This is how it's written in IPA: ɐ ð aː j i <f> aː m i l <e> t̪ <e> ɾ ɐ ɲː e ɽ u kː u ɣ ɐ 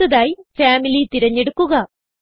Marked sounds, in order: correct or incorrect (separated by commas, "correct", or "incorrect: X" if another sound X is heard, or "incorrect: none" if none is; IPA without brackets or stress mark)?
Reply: correct, incorrect: i, incorrect: i